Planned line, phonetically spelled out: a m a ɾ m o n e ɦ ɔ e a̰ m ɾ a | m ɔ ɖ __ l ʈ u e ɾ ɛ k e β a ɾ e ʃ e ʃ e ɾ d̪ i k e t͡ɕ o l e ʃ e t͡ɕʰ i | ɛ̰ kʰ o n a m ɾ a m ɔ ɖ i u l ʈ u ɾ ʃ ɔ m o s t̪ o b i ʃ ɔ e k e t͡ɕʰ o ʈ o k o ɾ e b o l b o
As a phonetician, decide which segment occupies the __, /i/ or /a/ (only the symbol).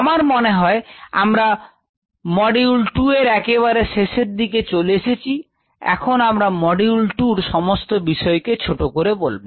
i